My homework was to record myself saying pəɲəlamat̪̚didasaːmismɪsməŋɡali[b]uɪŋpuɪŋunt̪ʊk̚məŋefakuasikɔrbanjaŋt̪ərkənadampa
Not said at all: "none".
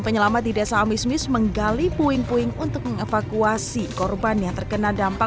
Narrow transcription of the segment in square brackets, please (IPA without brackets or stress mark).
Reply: p